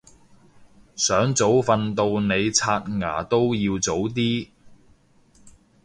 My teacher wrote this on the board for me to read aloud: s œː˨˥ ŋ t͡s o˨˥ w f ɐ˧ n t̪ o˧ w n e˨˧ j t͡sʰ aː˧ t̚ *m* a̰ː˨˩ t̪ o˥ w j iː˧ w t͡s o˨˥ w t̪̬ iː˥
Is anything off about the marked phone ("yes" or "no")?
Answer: yes